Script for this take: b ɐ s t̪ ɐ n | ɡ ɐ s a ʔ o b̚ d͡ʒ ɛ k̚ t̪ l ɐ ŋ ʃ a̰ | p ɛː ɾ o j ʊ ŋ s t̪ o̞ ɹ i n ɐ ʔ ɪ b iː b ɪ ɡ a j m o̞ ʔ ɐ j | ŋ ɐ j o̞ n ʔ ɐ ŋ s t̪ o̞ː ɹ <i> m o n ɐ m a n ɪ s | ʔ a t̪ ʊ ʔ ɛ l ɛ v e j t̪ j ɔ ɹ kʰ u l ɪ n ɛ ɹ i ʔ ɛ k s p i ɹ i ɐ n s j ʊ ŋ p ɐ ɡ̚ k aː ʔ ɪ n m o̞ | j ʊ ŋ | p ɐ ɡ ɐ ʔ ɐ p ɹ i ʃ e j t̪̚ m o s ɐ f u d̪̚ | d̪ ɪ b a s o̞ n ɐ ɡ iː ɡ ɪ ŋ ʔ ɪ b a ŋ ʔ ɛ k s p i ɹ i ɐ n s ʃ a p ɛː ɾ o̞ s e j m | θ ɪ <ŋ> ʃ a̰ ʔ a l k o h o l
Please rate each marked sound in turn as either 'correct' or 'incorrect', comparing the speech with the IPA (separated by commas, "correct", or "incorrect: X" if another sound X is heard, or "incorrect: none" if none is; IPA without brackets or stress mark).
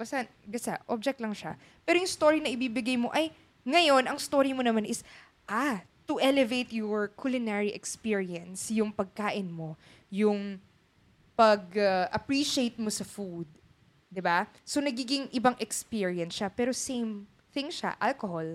correct, correct